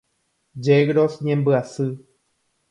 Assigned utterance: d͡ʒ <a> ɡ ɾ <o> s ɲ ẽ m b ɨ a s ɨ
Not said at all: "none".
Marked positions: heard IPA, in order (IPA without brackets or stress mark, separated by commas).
e, o